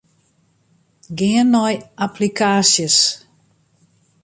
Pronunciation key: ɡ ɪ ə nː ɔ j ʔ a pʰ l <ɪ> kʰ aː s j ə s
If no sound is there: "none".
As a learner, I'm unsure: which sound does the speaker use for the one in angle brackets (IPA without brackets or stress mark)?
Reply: i